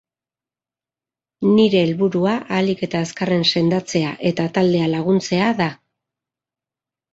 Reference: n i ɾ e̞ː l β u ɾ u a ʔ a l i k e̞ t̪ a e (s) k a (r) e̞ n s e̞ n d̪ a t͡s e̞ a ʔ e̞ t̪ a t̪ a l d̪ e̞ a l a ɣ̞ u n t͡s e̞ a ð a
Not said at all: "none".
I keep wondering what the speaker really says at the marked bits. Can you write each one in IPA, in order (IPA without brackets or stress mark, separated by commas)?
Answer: s, r